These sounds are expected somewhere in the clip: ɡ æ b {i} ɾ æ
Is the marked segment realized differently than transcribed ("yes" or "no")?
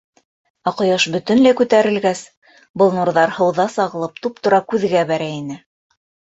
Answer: yes